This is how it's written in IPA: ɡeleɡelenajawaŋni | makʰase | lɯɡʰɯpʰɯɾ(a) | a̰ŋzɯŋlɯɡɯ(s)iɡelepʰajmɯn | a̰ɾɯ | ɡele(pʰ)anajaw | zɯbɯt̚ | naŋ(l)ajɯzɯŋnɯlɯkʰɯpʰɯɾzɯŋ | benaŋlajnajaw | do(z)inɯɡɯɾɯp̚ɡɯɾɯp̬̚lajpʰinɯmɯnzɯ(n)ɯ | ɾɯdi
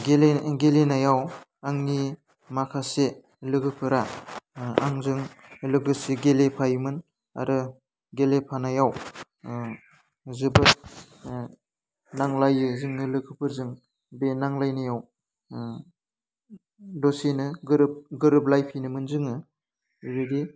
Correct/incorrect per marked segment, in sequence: correct, correct, correct, correct, incorrect, incorrect

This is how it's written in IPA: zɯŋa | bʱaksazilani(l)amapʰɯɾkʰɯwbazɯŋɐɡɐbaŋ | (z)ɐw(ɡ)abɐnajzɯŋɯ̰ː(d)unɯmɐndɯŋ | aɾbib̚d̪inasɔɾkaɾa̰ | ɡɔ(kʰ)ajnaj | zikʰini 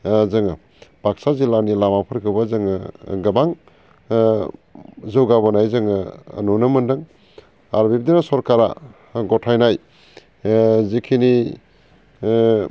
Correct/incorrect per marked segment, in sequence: correct, correct, correct, incorrect, incorrect

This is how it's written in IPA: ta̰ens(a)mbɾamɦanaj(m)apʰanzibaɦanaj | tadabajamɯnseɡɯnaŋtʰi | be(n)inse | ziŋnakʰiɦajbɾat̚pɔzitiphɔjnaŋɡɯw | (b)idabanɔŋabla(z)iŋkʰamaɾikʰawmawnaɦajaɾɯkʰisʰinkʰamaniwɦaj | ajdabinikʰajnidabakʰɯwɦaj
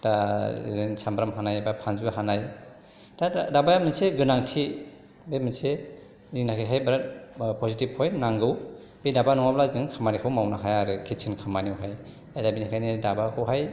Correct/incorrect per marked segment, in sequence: correct, incorrect, incorrect, correct, correct

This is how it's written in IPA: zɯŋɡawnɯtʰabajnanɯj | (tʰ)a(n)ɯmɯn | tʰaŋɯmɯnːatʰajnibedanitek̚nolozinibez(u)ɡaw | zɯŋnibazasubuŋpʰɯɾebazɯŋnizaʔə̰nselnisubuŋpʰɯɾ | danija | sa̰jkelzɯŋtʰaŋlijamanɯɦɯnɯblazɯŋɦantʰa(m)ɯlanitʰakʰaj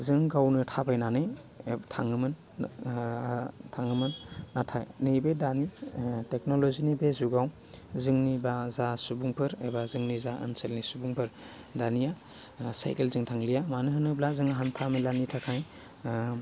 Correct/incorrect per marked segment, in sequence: correct, incorrect, correct, correct

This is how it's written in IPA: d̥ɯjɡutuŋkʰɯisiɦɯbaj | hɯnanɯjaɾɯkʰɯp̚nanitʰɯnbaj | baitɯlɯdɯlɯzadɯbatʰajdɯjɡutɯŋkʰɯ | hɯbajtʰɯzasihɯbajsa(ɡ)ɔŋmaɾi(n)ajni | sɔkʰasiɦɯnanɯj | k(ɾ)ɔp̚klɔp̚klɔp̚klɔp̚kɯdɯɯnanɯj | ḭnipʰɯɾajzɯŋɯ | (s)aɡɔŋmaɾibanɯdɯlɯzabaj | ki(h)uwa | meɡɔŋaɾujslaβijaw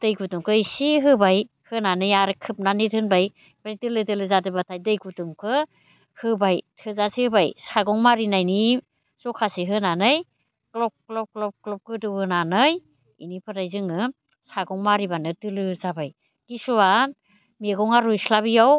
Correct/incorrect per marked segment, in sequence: correct, correct, incorrect, correct, incorrect

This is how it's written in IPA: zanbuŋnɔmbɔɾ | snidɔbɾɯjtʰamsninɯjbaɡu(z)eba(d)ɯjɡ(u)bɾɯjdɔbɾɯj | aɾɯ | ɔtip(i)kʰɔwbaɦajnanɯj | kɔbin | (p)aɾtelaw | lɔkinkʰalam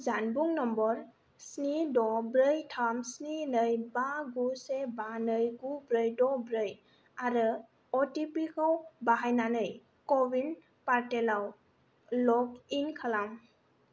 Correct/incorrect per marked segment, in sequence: incorrect, incorrect, correct, correct, correct

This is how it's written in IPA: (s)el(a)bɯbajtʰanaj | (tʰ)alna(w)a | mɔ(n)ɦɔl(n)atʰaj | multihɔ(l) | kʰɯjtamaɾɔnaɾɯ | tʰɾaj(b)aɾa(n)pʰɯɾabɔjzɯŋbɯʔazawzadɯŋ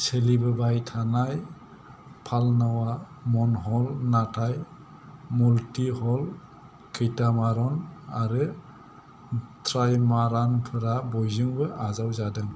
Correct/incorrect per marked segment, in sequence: correct, incorrect, incorrect, correct, correct, correct, correct, incorrect, correct

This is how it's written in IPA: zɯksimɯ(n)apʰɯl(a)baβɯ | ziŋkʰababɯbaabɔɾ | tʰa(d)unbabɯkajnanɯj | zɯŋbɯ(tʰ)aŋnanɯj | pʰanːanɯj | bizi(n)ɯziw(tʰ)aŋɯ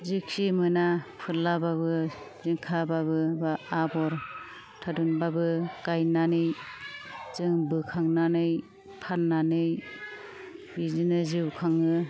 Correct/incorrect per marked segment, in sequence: correct, correct, correct, incorrect, correct, incorrect

